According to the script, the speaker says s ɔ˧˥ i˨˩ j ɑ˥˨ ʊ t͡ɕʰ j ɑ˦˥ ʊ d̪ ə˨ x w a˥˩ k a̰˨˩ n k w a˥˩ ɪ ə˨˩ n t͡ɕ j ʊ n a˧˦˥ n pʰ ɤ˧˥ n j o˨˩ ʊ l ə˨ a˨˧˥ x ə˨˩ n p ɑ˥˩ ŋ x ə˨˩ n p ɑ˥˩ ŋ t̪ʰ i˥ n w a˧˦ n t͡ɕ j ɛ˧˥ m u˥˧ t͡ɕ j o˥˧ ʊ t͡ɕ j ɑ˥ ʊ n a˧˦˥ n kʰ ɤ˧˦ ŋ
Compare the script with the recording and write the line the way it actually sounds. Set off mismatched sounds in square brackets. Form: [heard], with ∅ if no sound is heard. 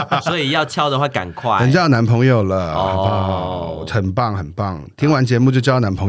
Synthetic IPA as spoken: s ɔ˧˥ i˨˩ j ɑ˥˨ ʊ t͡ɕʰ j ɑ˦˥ ʊ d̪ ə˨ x w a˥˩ k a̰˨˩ n [kʰ] w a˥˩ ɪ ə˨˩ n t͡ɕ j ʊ n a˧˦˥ n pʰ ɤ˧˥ [ŋ] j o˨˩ ʊ l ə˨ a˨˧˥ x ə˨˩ n p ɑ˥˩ ŋ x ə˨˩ n p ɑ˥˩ ŋ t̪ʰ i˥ [ŋ] w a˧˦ n t͡ɕ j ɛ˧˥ m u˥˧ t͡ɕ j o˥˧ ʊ t͡ɕ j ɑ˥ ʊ n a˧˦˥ n [pʰ] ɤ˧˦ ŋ